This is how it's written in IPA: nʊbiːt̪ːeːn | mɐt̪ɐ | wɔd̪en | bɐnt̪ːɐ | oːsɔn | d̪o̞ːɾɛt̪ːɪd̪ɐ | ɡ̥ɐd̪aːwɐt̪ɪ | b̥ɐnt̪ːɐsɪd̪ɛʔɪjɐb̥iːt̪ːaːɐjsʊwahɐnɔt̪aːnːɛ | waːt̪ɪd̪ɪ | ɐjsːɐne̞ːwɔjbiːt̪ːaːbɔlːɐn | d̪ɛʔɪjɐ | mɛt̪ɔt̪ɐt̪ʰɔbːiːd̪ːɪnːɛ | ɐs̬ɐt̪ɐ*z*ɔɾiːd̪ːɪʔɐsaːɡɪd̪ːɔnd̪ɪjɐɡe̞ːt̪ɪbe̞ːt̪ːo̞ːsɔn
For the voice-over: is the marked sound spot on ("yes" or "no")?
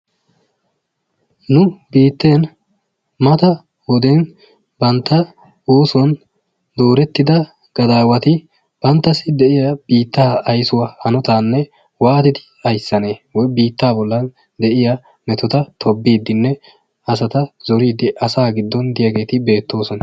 yes